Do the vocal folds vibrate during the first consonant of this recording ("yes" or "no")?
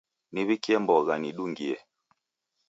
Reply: yes